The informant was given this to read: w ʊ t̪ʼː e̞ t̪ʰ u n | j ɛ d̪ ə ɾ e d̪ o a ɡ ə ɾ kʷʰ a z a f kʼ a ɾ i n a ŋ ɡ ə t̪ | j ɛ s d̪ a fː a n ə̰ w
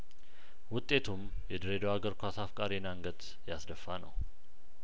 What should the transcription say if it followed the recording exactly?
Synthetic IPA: w ʊ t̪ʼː e̞ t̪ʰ u m | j ɛ d̪ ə ɾ e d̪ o a ɡ ə ɾ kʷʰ a s a f kʼ a ɾ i n a ŋ ɡ ə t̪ | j a s d̪ ə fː a n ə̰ w